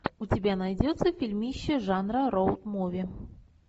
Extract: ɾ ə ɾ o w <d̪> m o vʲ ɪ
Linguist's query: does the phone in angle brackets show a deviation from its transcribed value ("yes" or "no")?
yes